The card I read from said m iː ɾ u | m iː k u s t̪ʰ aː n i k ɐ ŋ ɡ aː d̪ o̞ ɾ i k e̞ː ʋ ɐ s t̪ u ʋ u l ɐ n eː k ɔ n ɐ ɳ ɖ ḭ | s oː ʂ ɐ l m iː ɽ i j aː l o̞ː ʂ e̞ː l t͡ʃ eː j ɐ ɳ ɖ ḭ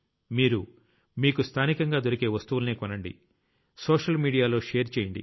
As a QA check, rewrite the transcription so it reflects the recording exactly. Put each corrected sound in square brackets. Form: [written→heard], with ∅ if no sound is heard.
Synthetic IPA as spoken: m iː ɾ u | m iː k u s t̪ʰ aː n i k ɐ ŋ ɡ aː d̪ o̞ ɾ i k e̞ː ʋ ɐ s t̪ u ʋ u l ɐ n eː k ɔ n ɐ ɳ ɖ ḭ | s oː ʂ ɐ l m iː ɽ i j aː l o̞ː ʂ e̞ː [l→ɾ] t͡ʃ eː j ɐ ɳ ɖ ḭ

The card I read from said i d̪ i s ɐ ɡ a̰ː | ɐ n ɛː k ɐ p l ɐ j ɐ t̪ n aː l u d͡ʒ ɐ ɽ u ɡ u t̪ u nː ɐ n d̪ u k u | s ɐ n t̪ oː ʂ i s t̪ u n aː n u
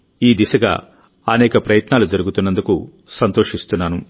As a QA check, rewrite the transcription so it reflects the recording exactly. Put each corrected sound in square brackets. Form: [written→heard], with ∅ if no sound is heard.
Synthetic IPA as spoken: [i→iː] d̪ i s ɐ ɡ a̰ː | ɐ n ɛː k ɐ p [l→ɾ] ɐ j ɐ t̪ n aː l u d͡ʒ ɐ [ɽ→ɾ] u ɡ u t̪ u nː ɐ n d̪ u k u | s ɐ n t̪ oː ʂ i s t̪ u [n→nː] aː n u

